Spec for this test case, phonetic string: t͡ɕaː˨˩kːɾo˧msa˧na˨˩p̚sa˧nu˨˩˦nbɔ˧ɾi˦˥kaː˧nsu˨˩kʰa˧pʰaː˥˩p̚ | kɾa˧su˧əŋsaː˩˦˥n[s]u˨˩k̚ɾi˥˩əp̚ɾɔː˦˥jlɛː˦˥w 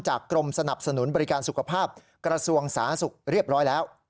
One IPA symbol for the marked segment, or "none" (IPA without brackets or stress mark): s